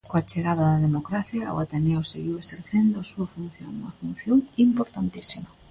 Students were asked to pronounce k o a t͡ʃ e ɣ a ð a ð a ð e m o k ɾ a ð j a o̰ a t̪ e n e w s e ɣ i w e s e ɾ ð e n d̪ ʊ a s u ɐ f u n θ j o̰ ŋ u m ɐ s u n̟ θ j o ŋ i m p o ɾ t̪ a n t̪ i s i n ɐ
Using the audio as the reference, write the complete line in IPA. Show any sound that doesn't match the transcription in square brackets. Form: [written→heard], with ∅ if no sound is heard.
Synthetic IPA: k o a t͡ʃ e ɣ a ð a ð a ð e m o k ɾ a [ð→θ] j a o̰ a t̪ e n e w s e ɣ i w e s e ɾ [ð→θ] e n d̪ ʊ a s u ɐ f u n θ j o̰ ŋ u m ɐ [s→f] u n̟ θ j o ŋ i m p o ɾ t̪ a n t̪ i s i [n→m] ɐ